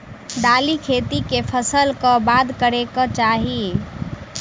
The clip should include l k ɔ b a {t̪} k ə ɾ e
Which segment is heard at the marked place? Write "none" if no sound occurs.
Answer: d̪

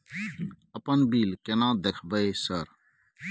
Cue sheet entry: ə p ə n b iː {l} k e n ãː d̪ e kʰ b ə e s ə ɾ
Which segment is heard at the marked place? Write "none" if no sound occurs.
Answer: l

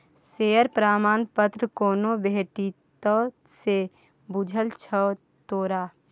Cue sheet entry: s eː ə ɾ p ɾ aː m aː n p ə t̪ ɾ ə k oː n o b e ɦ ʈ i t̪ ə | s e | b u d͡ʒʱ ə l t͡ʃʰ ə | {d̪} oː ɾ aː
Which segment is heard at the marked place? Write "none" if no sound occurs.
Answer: t̪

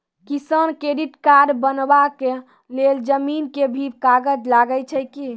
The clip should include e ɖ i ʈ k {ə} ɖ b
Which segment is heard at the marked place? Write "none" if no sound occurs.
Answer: a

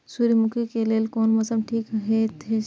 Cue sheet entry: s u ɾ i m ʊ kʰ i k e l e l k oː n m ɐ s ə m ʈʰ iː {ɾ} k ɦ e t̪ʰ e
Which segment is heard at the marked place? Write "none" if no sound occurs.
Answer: none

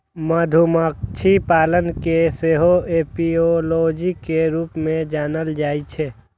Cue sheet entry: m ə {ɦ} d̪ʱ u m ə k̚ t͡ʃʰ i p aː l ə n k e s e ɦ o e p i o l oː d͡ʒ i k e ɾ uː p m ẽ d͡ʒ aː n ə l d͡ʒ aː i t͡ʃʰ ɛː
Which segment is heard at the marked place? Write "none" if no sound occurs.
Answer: none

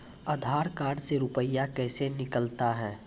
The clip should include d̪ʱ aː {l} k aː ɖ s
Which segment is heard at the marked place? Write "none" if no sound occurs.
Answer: ɾ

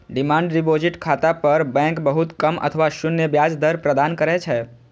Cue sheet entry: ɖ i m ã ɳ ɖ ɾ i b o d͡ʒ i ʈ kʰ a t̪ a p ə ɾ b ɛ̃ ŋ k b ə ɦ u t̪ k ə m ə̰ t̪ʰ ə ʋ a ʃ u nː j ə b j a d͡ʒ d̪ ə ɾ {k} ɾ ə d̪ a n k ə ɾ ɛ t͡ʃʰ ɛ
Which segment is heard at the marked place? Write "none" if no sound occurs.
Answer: p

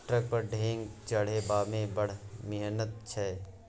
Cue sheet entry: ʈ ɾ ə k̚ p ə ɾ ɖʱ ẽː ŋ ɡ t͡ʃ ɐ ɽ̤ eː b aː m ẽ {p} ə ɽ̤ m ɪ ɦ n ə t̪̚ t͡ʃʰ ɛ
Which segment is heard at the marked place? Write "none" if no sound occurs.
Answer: b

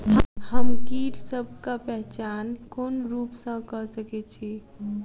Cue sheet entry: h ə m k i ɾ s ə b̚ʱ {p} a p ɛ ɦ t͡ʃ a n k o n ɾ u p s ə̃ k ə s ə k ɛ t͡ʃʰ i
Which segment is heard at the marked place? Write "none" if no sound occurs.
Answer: k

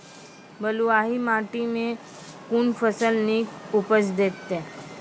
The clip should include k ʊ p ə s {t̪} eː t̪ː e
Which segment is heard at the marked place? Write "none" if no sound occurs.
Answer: d̪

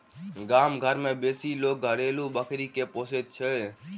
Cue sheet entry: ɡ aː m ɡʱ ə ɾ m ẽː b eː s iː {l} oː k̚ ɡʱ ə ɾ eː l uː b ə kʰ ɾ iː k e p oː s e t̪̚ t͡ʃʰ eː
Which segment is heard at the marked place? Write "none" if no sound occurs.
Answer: l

